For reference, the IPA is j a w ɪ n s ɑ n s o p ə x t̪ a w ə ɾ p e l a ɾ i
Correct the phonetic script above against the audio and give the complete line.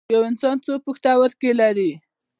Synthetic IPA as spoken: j a w ɪ n s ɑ n t͡s o p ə x t̪ a w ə ɾ k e l a ɾ i